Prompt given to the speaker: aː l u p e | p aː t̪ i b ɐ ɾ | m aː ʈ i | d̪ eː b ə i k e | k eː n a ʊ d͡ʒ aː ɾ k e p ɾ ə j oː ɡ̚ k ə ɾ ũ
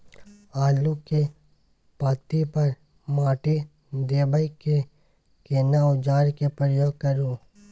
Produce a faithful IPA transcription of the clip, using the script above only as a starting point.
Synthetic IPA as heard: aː l u k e | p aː t̪ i p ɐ ɾ | m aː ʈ i | d̪ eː b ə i k e | k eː n a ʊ d͡ʒ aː ɾ k e p ɾ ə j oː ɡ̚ k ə ɾ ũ